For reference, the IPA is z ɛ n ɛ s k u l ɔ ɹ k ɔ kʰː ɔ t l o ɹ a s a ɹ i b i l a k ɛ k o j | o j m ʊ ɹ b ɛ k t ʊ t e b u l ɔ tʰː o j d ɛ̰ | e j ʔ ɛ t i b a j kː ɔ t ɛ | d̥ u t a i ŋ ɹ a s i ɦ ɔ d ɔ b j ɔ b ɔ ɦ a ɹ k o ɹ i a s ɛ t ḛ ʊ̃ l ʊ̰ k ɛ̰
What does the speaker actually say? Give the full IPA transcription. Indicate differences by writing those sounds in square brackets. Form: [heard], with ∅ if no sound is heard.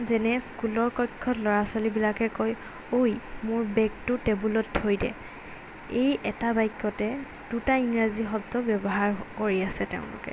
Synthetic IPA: z ɛ n ɛ s k u l ɔ ɹ k ɔ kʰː ɔ t l [ɔ] ɹ a s a [l] i b i l a k ɛ k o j | o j m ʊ ɹ b ɛ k t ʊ t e b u l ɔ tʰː o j d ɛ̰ | e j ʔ ɛ t [a] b a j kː ɔ t ɛ | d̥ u t a i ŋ ɹ a [z] i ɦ ɔ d ɔ b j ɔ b ɔ ɦ a ɹ k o ɹ i a s ɛ t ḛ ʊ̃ l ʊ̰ k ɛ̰

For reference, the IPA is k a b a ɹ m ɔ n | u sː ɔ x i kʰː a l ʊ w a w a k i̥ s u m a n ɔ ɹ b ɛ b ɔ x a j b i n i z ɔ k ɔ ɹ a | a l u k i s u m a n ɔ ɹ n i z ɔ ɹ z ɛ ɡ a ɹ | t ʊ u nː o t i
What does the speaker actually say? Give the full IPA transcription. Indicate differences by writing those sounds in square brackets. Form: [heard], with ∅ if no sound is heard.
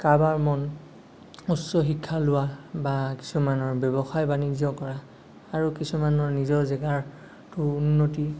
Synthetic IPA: k a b a ɹ m ɔ n | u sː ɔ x i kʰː a l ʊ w a [b] a k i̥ s u m a n ɔ ɹ b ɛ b ɔ x a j b [a] n i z ɔ k ɔ ɹ a | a [ɹ] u k i s u m a n ɔ ɹ n i z ɔ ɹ z ɛ ɡ a ɹ | t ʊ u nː o t i

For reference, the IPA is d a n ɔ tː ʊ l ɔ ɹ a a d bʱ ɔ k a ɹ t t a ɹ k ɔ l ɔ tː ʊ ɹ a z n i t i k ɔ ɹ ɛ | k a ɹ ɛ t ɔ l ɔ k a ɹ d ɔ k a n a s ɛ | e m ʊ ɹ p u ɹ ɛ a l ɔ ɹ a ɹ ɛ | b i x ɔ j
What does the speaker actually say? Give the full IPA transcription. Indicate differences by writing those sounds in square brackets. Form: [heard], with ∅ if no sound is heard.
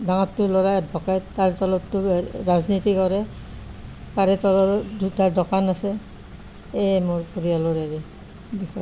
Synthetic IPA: d a [ŋ] ɔ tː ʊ l ɔ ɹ a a d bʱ ɔ k a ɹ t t a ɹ [t] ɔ l ɔ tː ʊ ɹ a z n i t i k ɔ ɹ ɛ | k a ɹ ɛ t ɔ l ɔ [t] a ɹ d ɔ k a n a s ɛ | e m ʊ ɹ p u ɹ [i] a l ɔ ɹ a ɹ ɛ | b i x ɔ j

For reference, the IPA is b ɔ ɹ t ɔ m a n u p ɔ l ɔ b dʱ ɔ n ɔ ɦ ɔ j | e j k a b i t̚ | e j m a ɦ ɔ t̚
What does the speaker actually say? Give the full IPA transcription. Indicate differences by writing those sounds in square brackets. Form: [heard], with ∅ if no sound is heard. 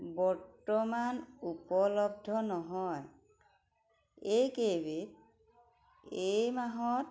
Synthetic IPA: b ɔ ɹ t ɔ m a n u p ɔ l ɔ b dʱ ɔ n ɔ ɦ ɔ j | e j k [e] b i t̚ | e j m a ɦ ɔ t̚

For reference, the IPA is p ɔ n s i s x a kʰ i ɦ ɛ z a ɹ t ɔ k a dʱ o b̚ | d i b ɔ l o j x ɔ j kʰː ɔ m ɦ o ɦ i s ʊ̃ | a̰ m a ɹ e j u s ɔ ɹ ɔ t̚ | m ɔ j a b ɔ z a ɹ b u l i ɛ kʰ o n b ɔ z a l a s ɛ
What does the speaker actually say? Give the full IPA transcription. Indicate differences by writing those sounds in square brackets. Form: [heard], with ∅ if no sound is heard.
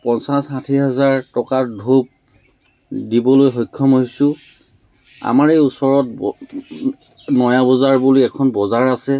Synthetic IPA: p ɔ n s [a] s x a [tʰ] i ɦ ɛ z a ɹ t ɔ k a dʱ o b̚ | d i b ɔ l o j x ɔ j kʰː ɔ m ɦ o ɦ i s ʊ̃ | a̰ m a ɹ e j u s ɔ ɹ ɔ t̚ | [n] ɔ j a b ɔ z a ɹ b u l i ɛ kʰ [ɔ] n b ɔ z a [ɹ] a s ɛ

